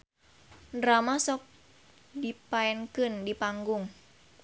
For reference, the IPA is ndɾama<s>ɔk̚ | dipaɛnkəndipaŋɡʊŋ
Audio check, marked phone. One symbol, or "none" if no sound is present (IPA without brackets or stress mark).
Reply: s